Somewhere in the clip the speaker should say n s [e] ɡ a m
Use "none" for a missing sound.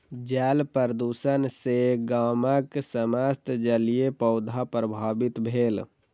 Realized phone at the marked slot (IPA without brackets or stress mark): e